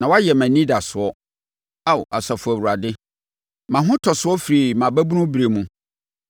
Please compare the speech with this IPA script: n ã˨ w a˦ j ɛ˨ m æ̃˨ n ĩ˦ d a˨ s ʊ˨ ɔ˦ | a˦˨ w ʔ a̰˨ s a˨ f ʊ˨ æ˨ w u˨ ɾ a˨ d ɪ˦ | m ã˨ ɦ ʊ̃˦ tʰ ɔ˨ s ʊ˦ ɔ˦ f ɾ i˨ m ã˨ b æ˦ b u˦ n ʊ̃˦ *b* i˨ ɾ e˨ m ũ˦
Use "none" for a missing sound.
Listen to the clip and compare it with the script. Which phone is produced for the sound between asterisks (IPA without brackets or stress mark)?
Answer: b